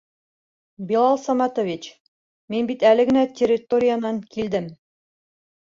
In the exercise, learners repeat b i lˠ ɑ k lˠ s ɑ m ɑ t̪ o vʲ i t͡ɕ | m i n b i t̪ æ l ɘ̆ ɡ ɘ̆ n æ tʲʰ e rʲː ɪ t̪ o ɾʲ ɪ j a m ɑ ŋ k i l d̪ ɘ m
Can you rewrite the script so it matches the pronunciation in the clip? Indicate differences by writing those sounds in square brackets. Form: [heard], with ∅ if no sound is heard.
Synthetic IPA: b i lˠ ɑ [∅] lˠ s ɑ m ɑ t̪ o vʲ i t͡ɕ | m i n b i t̪ æ l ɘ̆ ɡ ɘ̆ n æ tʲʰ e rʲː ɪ t̪ o ɾʲ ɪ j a [n] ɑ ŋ k i l d̪ ɘ m